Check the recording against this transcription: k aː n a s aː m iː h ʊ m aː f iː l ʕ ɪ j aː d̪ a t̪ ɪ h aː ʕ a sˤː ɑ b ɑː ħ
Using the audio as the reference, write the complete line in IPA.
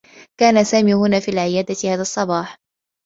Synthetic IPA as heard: k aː n a s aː m iː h ʊ n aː f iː l ʕ ɪ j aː d̪ a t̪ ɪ h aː ð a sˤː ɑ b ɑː ħ